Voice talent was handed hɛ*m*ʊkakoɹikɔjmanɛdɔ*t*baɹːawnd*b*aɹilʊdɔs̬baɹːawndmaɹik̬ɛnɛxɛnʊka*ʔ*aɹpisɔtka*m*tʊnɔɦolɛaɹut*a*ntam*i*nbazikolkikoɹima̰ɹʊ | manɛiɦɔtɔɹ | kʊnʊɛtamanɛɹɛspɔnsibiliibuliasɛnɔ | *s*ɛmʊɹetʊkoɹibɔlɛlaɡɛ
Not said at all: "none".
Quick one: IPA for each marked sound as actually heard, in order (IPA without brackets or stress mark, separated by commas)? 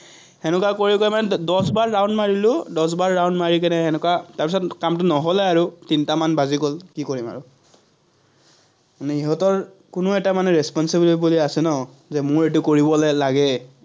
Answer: n, s, m, t, m, i, a, z